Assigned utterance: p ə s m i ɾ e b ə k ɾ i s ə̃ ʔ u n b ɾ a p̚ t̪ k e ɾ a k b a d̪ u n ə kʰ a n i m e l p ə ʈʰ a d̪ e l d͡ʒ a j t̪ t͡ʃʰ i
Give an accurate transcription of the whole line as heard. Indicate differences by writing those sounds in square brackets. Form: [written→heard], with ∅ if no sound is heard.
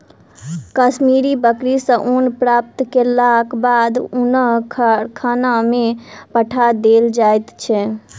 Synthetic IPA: [p→k] ə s m i ɾ [e→i] b ə k ɾ i s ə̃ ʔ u n [b→p] ɾ a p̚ t̪ k e [ɾ→l] a k b a d̪ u n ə kʰ a n [i→a] m e [l→∅] p ə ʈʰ a d̪ e l d͡ʒ a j t̪ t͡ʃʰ [i→ɛ]